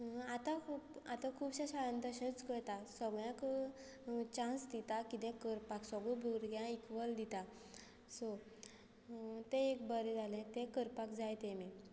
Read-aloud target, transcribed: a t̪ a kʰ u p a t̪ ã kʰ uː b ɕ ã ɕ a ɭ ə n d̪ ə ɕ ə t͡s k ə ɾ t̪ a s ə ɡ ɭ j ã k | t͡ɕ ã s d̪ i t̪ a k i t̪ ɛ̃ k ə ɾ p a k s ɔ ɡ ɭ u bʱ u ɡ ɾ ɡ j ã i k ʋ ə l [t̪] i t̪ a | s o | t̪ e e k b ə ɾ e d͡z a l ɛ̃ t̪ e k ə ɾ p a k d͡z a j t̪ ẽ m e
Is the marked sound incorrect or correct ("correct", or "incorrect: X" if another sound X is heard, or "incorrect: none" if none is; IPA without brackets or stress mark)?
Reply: incorrect: d̪